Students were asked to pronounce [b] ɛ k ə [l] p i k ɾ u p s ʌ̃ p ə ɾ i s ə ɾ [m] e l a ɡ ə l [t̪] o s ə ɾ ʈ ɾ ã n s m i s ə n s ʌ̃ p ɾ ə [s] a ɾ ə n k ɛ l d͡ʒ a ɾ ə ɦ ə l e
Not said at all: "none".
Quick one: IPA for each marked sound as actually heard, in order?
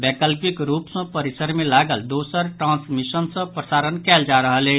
b, l, m, d̪, s

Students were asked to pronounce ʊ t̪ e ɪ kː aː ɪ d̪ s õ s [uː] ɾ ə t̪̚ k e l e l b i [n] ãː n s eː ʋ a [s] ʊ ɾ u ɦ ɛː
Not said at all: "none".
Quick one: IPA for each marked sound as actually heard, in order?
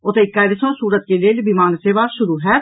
uː, m, ʃ

